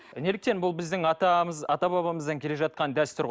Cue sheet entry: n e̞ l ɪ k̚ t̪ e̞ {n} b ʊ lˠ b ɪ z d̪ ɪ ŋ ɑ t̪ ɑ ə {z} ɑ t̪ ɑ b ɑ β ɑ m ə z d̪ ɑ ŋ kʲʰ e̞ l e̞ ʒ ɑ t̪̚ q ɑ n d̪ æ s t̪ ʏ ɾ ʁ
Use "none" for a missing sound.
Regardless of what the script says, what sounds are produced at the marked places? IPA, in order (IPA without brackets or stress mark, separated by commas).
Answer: n, z